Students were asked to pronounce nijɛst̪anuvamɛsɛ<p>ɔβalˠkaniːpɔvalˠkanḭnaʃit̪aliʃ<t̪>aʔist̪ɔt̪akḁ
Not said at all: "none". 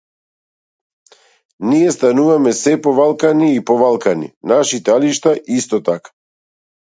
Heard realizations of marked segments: p, t̪

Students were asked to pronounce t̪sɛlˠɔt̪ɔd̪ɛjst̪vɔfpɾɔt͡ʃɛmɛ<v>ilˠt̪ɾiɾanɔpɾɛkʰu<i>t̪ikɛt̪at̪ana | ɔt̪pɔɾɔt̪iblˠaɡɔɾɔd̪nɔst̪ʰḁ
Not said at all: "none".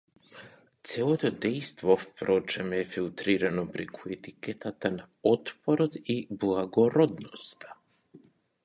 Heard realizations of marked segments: f, ɛ

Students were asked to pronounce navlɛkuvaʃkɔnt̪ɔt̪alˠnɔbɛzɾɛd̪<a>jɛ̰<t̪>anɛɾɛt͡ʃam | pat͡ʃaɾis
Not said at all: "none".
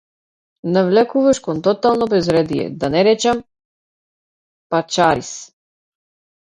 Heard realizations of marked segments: i, d̪

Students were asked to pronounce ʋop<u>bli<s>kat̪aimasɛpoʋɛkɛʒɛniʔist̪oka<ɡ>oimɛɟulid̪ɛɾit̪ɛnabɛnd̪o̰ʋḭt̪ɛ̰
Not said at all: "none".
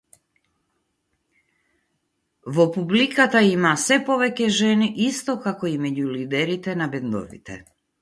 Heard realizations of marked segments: u, none, k

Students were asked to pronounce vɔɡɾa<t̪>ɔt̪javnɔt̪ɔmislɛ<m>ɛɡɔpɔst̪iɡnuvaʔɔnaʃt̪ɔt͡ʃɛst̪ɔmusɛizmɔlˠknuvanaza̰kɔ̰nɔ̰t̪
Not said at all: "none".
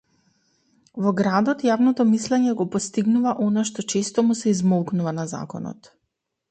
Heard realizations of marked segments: d̪, ɲ

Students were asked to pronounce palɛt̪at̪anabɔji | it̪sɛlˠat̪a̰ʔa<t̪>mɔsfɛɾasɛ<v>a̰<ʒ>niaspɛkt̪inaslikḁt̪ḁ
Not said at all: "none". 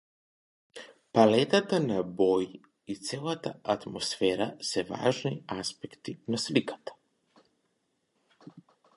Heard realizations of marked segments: t̪, v, ʒ

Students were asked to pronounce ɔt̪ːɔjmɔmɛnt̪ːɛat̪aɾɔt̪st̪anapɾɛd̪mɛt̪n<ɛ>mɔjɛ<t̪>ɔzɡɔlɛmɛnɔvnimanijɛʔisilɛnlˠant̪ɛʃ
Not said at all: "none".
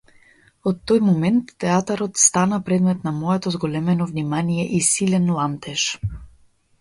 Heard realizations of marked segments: a, t̪

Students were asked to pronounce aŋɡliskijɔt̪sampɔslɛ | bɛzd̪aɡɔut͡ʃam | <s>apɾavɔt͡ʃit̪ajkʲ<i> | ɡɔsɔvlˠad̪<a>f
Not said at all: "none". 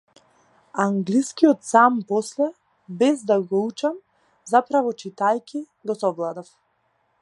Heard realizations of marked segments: z, i, a

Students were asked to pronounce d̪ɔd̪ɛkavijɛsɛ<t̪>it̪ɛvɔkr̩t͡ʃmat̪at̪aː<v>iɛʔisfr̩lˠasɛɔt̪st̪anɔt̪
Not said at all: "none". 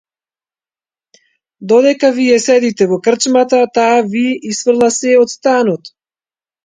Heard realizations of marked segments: d̪, v

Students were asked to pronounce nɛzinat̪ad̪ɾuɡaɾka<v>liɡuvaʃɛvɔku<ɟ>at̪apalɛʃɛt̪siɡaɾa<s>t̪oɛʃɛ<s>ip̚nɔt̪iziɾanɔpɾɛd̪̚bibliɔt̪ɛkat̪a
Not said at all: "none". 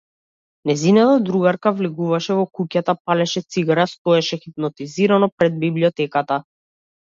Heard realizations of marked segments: v, c, s, x

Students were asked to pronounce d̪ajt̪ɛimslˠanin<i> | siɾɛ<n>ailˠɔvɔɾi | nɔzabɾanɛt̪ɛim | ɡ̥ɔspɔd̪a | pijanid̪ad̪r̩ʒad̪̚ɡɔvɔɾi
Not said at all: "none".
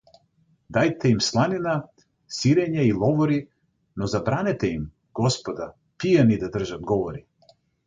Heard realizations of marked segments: a, ɲ

